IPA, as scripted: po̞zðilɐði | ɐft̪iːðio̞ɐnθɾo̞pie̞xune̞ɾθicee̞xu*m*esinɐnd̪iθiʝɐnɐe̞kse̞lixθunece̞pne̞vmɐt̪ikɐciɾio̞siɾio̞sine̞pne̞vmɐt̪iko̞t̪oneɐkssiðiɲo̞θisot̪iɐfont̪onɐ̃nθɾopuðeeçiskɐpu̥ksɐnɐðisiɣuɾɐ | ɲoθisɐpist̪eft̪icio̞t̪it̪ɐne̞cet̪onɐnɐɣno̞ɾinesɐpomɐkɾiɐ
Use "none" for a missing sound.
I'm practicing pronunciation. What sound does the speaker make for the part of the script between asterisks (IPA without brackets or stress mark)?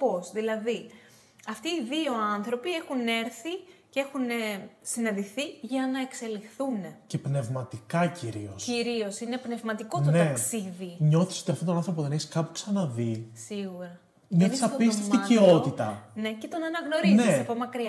n